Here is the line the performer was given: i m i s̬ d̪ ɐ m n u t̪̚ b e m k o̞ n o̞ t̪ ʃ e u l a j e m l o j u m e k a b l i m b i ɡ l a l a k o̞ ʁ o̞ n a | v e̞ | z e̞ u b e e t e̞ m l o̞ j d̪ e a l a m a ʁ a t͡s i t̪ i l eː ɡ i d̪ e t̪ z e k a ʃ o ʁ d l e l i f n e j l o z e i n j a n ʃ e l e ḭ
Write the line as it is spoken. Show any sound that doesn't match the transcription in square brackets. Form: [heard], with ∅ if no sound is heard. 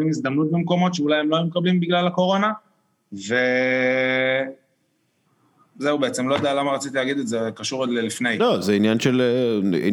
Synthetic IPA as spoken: i m i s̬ d̪ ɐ m n u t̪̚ b e m k o̞ [m] o̞ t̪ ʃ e u l a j e m l o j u m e k a b l i m b i ɡ l a l a k o̞ ʁ o̞ n a | v e̞ | z e̞ u b e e [t͡s] e̞ m l o̞ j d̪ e a l a m a ʁ a t͡s i t̪ i l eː ɡ i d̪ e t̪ z e k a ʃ [u] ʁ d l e l i f n e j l o z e i n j a n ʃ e l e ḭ